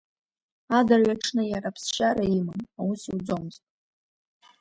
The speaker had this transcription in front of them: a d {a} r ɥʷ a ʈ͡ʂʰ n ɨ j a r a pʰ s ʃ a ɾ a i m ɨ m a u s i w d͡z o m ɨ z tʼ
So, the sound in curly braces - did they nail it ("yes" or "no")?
yes